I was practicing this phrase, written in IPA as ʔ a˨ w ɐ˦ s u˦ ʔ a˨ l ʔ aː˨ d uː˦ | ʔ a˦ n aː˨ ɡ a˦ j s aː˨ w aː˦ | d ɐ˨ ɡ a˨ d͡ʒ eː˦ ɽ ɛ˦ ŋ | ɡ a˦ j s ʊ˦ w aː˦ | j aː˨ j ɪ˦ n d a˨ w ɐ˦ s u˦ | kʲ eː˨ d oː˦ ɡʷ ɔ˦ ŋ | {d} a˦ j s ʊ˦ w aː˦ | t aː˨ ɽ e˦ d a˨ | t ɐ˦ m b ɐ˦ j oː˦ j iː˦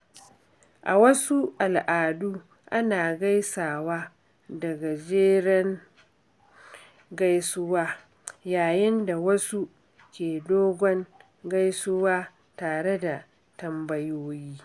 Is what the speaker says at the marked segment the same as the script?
no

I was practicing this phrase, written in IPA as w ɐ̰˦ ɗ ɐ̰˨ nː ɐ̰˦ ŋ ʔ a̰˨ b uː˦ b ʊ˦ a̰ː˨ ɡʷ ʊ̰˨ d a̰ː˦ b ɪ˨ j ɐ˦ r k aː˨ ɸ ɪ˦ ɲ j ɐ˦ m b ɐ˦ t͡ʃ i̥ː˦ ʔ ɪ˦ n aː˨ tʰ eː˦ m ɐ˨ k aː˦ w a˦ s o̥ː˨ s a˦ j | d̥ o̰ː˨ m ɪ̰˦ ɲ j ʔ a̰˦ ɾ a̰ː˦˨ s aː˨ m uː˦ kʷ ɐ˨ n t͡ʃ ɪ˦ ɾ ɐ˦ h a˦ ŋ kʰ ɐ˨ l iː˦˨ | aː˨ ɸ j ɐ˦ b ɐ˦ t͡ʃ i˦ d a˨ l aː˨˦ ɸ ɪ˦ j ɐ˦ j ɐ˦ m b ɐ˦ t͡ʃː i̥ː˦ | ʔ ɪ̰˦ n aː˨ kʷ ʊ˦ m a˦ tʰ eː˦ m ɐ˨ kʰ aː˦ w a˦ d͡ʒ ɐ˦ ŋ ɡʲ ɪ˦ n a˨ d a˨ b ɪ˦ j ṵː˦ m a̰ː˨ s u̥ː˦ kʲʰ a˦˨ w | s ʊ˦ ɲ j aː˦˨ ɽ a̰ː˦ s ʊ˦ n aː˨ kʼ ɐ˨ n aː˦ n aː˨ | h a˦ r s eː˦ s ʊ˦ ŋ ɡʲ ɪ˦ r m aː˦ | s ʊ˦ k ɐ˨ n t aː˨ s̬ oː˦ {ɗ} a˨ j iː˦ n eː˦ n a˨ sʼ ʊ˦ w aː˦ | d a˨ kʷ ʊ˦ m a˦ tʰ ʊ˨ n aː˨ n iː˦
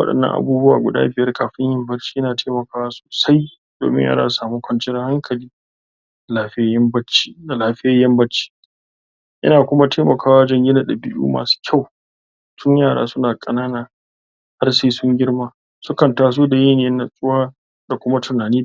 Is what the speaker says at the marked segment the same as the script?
no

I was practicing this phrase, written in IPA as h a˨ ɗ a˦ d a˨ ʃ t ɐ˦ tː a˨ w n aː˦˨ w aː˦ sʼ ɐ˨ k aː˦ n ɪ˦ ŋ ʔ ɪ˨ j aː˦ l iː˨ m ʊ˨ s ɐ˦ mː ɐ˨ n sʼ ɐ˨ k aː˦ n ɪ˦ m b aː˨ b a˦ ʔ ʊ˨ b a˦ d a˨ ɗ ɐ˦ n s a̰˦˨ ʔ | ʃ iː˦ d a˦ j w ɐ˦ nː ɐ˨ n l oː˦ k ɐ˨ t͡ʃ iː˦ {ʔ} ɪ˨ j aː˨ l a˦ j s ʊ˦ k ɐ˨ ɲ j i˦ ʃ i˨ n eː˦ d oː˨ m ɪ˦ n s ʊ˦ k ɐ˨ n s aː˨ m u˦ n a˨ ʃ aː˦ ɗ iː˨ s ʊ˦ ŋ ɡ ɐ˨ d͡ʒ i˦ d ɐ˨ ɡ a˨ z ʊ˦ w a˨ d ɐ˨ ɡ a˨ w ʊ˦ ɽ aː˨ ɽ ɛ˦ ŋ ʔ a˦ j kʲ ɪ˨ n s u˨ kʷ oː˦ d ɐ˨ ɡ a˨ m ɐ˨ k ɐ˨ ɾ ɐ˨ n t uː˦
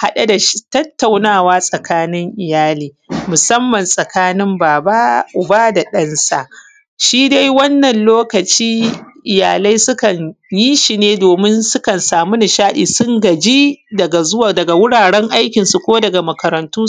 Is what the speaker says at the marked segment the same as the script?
yes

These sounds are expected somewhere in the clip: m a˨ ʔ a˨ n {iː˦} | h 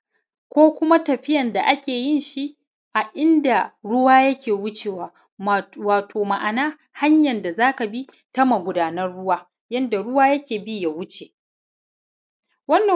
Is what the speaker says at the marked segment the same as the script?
no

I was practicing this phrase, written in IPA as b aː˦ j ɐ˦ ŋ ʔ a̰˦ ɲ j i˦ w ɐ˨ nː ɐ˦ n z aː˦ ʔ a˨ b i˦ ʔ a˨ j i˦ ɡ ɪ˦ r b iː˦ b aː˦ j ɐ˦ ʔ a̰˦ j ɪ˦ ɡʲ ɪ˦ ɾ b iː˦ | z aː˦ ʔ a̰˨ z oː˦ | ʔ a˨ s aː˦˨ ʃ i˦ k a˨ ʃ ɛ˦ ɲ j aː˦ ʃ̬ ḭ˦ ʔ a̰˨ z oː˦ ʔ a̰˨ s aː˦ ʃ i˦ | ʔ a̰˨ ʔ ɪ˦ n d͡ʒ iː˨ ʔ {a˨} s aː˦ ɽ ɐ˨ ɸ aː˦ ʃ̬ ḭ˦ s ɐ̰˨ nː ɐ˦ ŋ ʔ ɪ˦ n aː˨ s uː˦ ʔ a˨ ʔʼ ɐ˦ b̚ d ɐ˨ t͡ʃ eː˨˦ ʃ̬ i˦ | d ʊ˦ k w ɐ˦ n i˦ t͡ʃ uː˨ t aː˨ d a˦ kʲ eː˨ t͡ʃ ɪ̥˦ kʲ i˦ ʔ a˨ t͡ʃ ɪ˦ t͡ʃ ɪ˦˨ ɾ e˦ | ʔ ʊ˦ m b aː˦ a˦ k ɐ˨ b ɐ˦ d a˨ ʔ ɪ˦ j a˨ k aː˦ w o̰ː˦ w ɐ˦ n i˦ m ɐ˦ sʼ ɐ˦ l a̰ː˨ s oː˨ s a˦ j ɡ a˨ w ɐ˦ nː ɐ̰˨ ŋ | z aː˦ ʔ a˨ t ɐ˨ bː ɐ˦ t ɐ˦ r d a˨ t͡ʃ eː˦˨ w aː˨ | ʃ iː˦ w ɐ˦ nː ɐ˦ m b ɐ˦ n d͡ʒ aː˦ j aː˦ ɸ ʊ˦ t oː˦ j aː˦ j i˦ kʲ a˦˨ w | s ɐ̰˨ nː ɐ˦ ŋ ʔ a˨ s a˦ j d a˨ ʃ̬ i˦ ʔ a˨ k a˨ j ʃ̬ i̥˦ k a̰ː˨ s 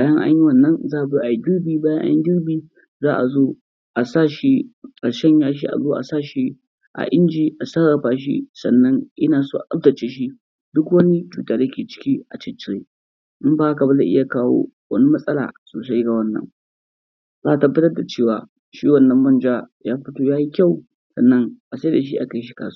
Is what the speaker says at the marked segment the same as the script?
yes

